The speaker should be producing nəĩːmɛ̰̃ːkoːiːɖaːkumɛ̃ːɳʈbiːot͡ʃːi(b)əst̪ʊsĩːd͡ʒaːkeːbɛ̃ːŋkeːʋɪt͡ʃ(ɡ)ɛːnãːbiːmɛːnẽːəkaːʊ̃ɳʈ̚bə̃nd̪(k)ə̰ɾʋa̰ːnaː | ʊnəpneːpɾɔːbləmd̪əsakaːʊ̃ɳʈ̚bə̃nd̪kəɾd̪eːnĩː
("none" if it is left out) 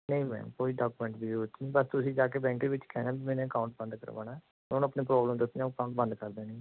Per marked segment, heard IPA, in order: b, k, k

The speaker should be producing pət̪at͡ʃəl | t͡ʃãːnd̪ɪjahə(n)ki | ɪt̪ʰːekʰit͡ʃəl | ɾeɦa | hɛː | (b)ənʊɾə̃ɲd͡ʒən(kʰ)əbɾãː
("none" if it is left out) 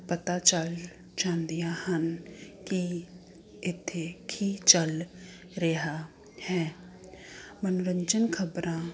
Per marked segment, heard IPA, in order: n, m, kʰ

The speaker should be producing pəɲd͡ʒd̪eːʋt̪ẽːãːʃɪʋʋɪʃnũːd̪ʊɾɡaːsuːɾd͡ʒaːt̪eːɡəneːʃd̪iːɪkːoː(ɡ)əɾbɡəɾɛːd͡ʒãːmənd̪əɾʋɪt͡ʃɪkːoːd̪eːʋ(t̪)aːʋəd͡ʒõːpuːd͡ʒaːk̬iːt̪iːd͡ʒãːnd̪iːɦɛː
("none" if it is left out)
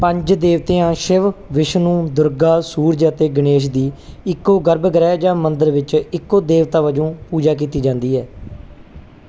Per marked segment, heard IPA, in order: ɡ, t̪

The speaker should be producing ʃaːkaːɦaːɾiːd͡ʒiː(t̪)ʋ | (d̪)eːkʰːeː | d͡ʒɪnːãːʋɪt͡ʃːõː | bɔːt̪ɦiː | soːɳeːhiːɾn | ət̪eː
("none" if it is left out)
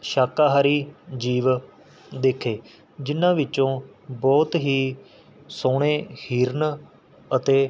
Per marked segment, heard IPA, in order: none, d̪

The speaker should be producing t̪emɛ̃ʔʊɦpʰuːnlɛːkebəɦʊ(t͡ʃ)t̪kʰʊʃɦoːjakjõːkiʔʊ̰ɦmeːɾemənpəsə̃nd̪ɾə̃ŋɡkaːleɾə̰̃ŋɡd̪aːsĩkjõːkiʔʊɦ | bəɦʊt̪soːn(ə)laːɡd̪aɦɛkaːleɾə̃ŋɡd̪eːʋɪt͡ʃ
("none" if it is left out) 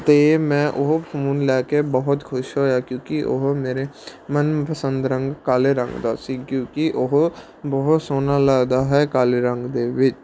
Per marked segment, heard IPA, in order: none, a

